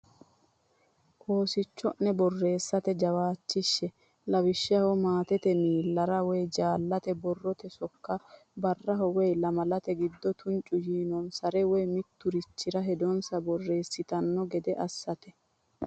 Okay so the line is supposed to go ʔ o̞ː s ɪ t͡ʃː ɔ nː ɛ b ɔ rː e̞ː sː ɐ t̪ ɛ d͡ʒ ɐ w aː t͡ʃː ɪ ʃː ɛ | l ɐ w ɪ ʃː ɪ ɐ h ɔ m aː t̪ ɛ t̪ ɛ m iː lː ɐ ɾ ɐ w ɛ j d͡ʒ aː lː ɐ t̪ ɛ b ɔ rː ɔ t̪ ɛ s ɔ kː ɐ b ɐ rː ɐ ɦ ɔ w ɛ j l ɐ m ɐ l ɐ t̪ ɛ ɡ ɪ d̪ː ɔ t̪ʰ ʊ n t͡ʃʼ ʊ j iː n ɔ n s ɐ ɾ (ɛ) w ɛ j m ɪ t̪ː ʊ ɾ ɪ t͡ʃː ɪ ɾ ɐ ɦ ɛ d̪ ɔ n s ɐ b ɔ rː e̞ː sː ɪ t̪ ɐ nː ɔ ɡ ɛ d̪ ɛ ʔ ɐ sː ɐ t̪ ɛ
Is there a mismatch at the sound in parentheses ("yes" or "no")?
no